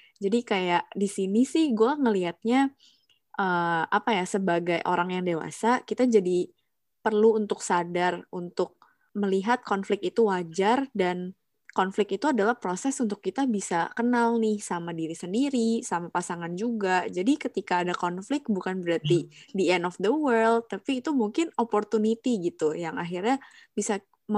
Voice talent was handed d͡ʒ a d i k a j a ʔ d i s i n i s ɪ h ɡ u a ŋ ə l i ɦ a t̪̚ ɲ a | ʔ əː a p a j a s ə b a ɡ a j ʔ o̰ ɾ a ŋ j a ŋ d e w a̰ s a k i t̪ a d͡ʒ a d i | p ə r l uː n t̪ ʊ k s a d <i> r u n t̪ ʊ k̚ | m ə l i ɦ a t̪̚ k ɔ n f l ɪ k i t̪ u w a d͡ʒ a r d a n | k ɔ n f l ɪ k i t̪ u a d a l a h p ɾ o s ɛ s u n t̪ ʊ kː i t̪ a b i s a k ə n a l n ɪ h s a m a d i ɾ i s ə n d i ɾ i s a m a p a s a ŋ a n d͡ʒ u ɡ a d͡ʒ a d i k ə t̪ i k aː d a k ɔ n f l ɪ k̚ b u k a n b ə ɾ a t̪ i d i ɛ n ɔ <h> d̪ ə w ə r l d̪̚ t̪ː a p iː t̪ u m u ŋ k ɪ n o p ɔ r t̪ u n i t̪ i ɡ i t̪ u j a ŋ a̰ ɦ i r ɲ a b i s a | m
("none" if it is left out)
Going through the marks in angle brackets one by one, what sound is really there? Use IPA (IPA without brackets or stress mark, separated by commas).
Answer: a, f